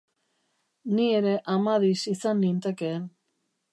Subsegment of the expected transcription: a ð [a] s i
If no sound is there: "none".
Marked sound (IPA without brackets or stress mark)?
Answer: i